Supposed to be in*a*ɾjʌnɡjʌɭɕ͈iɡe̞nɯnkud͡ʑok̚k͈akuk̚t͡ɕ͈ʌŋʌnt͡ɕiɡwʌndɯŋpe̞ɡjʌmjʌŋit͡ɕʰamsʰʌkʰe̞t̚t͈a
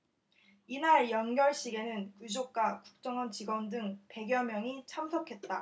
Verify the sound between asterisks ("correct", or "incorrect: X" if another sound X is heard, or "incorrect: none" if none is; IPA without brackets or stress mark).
correct